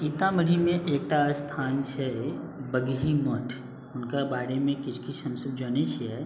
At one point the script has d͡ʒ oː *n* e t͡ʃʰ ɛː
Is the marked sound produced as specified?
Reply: yes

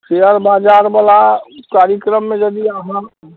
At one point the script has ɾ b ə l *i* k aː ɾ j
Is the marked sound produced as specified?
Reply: no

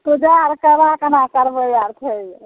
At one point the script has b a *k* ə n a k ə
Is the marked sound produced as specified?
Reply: yes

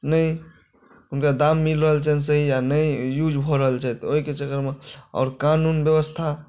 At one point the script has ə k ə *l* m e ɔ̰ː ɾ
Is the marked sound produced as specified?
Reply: no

